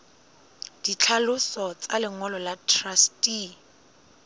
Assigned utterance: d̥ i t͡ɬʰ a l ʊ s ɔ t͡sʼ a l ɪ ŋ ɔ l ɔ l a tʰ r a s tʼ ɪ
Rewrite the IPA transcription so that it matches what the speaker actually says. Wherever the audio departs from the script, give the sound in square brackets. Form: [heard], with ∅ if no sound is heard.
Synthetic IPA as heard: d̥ i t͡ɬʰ a l ʊ s ɔ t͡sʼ a l ɪ ŋ ɔ l ɔ l a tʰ r a s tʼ [i]